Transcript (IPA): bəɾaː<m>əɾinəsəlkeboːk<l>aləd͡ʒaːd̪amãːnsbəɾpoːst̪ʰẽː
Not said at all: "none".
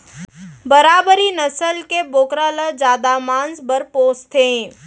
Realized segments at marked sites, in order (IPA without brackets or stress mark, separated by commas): b, ɾ